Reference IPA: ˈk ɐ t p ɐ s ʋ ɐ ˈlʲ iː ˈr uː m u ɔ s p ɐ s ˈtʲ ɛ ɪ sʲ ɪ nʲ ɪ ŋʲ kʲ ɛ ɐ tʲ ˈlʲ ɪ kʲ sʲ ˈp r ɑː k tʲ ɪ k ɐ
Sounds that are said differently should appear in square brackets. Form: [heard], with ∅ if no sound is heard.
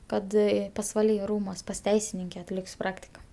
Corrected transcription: ˈk ɐ t p ɐ s ʋ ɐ ˈlʲ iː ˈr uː m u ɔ s p ɐ s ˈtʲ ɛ ɪ sʲ ɪ nʲ ɪ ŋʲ kʲ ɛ ɐ tʲ ˈlʲ ɪ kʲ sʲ ˈp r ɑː k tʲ ɪ k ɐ